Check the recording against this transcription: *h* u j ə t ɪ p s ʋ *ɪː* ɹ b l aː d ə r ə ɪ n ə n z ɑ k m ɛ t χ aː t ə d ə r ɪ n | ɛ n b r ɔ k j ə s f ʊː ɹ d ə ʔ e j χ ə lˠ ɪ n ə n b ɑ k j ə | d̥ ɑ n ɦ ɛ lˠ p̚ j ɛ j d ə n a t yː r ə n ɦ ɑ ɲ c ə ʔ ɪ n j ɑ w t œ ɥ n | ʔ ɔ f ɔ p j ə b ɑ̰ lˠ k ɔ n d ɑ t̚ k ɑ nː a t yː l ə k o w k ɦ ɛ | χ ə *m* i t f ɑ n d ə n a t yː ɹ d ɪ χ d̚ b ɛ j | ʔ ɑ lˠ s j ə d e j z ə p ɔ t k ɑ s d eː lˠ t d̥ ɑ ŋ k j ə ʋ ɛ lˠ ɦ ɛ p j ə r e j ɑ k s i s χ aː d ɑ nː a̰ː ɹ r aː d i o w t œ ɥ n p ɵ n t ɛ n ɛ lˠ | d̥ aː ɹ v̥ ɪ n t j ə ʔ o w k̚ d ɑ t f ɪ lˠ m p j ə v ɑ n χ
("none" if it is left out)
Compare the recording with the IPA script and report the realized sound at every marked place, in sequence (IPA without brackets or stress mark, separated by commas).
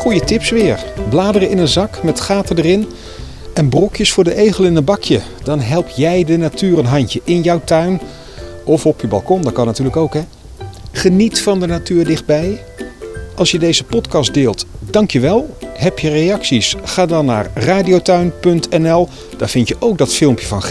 χ, ɪː, n